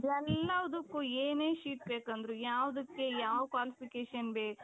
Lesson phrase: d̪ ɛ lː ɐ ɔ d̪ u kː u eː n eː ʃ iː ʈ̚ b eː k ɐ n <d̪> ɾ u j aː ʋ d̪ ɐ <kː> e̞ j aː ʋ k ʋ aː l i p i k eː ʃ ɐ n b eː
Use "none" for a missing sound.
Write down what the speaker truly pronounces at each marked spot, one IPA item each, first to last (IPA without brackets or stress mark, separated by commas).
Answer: d̪, kː